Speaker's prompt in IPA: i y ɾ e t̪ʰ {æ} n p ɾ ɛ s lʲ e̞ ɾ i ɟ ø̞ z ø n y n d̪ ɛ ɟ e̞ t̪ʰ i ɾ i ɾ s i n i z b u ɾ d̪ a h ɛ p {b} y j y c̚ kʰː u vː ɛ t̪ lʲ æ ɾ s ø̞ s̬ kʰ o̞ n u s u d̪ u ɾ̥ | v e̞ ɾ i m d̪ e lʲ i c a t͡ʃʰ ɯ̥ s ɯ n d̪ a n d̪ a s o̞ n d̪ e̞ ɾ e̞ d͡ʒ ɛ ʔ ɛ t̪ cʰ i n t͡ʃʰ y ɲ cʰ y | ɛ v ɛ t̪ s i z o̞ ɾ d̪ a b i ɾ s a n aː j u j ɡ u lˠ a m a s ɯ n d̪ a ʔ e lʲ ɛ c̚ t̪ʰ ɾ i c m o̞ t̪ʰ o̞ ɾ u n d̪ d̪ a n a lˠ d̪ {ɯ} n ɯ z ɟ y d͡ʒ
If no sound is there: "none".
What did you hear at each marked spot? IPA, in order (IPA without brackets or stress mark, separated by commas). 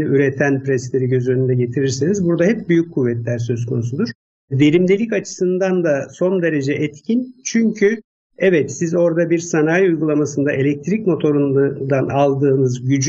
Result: æ, b, ɯː